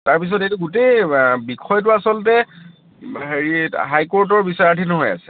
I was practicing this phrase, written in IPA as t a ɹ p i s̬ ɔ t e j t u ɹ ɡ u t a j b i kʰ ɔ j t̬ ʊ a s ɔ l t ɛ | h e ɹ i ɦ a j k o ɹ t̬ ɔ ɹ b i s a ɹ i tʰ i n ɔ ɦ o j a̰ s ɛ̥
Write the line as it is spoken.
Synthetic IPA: t a ɹ p i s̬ ɔ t e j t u ɡ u t e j b i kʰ ɔ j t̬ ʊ a s ɔ l t ɛ | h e ɹ i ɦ a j k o ɹ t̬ ɔ ɹ b i s a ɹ a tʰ i n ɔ ɦ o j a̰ s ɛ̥